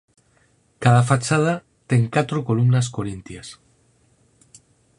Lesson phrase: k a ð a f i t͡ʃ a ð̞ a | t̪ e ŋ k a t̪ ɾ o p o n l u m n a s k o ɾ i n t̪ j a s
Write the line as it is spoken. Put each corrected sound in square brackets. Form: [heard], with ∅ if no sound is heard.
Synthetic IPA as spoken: k a ð a f [a] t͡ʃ a ð̞ a | t̪ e ŋ k a t̪ ɾ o [k] o [∅] l u m n a s k o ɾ i n t̪ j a s